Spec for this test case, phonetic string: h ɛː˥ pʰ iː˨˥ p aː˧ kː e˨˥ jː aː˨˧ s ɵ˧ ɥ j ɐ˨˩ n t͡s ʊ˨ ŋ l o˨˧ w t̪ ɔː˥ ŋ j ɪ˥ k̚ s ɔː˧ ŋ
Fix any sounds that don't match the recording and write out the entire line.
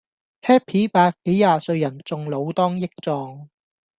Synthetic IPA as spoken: h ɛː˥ pʰ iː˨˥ p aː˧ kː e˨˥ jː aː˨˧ s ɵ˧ ɥ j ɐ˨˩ n t͡s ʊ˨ ŋ l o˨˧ w t̪ ɔː˥ ŋ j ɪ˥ k̚ t͡s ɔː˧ ŋ